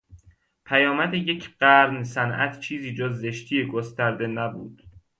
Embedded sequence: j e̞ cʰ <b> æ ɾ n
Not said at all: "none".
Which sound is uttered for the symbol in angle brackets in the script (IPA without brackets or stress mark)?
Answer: ɢ